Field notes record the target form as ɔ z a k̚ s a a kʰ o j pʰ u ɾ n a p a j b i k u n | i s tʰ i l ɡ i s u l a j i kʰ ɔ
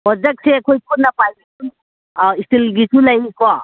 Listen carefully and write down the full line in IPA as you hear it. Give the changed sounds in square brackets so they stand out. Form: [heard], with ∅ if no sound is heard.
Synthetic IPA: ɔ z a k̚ s [e] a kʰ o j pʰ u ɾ n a p a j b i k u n | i s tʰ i l ɡ i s u l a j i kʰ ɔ